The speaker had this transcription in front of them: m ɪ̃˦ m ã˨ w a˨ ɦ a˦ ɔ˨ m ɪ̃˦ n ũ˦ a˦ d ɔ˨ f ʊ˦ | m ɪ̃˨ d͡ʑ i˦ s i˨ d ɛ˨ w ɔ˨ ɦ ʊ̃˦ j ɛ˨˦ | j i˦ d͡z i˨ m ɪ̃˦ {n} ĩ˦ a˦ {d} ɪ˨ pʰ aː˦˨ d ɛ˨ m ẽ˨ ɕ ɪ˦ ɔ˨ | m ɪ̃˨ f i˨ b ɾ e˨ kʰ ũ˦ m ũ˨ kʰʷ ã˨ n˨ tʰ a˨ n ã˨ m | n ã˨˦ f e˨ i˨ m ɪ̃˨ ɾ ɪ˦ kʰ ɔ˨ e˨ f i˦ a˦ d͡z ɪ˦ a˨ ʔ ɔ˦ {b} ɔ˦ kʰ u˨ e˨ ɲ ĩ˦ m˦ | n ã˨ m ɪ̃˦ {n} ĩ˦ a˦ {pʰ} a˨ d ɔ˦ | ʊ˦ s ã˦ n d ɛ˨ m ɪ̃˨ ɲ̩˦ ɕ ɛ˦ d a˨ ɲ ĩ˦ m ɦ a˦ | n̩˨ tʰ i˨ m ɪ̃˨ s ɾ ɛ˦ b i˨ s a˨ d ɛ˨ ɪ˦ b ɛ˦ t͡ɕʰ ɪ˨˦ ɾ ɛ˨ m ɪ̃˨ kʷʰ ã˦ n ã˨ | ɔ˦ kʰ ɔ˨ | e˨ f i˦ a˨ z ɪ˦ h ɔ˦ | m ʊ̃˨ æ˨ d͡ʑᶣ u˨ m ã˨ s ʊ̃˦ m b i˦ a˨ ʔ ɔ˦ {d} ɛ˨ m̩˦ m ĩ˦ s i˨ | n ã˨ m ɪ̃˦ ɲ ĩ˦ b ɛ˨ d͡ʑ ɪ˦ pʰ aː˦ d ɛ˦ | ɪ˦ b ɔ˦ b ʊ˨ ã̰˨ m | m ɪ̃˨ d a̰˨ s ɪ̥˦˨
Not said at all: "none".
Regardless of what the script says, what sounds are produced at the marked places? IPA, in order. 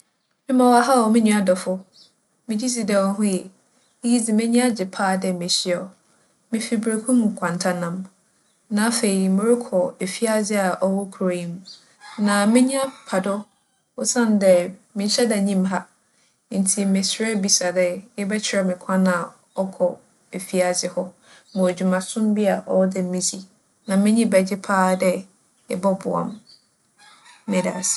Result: ɲ, d͡ʑ, w, ɲ, pʰ, d

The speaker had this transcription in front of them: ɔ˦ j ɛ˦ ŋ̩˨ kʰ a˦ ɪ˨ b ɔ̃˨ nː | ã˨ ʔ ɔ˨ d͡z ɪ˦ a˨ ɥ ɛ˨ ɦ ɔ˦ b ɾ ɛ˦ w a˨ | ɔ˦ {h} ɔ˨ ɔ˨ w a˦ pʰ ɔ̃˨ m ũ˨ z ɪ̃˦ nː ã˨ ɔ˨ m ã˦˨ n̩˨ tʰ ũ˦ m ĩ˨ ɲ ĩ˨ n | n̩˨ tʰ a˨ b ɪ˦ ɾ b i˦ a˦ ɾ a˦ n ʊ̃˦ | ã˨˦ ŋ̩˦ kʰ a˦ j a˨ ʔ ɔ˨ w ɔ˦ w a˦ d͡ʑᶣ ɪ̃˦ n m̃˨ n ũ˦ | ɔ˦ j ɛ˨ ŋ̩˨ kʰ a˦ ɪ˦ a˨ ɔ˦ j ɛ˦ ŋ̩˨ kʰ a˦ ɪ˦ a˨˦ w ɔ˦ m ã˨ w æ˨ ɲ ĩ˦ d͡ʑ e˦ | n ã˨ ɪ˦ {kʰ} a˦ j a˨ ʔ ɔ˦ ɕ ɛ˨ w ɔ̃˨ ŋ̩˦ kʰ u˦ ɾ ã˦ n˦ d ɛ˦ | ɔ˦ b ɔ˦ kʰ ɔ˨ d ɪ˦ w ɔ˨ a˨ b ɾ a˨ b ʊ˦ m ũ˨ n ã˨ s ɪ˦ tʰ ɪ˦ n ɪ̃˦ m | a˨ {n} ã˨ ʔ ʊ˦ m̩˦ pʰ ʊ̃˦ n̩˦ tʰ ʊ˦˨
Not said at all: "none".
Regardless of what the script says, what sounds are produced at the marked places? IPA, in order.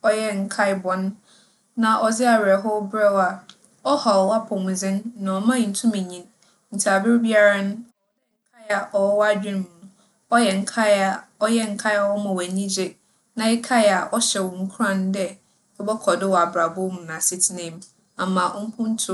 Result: h, kʰ, m

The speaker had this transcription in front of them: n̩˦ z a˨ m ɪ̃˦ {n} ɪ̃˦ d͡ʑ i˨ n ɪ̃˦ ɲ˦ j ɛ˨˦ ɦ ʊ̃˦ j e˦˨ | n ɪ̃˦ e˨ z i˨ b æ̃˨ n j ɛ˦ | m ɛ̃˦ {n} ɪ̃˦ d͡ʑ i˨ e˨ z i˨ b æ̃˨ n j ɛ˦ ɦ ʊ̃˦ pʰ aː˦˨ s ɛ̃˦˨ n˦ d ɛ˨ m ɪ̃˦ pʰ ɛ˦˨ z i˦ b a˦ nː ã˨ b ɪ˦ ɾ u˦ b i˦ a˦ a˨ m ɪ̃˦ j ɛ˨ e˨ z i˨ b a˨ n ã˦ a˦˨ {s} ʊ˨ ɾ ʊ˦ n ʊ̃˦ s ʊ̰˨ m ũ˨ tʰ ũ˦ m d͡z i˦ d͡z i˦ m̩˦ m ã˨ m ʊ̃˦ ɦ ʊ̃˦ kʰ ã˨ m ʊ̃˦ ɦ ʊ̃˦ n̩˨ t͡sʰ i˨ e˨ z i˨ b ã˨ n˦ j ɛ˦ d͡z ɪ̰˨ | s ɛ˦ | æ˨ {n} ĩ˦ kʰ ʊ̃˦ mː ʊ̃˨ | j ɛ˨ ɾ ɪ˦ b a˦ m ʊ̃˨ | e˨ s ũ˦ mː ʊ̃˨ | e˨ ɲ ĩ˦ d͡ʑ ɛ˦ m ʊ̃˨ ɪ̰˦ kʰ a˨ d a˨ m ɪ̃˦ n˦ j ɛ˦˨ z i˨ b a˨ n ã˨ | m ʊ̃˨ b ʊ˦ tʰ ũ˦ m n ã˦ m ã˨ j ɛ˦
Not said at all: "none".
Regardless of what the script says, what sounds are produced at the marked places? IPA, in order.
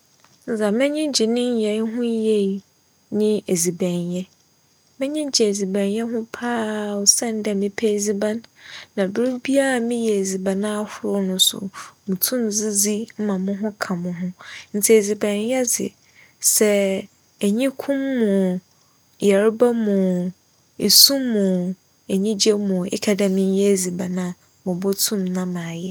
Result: ɲ, ɲ, h, ɲ

